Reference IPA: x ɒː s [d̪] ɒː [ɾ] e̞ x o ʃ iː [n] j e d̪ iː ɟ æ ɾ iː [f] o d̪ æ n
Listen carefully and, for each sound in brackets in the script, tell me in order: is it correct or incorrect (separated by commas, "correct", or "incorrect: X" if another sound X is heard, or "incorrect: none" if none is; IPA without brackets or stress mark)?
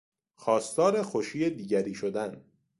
incorrect: t̪, correct, incorrect: none, incorrect: ʃ